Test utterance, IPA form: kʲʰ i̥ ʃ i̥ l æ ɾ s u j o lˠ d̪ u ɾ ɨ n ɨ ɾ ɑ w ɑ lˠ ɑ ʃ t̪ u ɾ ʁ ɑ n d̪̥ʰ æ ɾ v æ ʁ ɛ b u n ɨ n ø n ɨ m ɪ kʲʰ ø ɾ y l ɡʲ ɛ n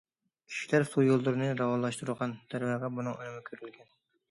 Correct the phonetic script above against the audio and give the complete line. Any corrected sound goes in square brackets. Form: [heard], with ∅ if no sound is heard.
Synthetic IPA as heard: kʲʰ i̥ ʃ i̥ l æ ɾ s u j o lˠ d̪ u ɾ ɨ n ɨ ɾ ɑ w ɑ lˠ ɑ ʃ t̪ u ɾ ʁ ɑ n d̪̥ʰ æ ɾ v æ ʁ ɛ b u n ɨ [ŋ] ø n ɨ m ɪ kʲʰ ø ɾ y l ɡʲ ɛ n